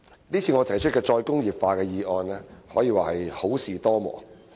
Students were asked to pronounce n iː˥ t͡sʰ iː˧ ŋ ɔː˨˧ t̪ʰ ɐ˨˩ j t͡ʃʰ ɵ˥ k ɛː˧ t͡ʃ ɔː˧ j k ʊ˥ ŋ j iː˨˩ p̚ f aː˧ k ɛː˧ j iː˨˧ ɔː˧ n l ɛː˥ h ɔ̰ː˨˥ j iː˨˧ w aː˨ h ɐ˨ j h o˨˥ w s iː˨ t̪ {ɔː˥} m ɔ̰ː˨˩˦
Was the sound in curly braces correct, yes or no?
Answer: yes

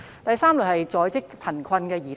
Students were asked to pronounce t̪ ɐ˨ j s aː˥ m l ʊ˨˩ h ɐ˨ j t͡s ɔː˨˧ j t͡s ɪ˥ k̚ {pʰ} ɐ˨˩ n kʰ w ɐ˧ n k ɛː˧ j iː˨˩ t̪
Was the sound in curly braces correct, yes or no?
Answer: yes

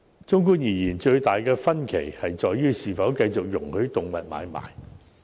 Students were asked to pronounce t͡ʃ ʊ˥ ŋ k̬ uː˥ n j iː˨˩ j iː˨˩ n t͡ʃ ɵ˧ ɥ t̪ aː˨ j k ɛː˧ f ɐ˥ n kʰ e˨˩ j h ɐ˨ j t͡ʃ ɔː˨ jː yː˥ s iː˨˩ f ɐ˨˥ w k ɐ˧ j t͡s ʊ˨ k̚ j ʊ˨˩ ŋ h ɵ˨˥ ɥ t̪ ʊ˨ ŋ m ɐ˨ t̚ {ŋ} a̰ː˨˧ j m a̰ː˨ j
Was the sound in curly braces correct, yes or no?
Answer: no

